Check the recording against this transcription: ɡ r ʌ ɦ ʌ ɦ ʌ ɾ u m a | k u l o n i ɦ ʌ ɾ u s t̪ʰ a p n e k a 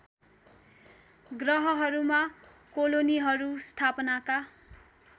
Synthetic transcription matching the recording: ɡ r ʌ ɦ ʌ ɦ ʌ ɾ u m a | k o l o n i ɦ ʌ ɾ u s t̪ʰ a p n a k a